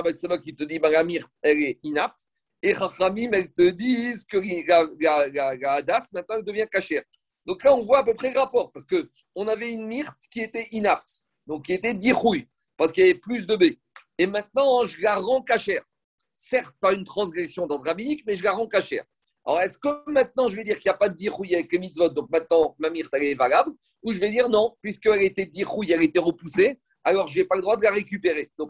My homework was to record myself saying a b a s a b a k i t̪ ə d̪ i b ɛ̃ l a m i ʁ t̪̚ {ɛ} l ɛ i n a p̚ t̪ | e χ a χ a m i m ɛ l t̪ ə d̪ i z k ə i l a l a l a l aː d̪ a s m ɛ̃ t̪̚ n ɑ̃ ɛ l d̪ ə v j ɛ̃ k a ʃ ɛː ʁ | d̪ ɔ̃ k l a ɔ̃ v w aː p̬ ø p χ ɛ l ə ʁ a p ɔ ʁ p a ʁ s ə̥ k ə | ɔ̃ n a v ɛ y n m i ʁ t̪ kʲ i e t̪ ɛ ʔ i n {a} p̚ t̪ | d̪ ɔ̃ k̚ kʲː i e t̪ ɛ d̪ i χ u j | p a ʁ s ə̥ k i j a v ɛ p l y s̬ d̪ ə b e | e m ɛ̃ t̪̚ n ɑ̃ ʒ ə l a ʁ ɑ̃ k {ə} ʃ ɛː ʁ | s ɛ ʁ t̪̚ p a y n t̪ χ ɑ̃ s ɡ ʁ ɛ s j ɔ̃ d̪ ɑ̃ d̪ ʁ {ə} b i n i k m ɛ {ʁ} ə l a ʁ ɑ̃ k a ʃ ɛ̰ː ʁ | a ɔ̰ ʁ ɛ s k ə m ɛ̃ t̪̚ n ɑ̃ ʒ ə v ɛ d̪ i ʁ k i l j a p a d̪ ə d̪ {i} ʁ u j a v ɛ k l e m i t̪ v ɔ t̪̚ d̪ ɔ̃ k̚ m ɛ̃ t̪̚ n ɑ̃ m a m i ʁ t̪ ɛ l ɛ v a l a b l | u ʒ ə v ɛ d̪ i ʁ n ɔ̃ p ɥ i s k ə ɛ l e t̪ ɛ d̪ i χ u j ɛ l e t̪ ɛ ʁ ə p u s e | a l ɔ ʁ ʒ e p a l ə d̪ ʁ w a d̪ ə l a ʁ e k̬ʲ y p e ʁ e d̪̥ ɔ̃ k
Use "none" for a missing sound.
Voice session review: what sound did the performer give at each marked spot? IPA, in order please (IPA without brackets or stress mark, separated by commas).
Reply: ɛ, a, a, a, ʒ, i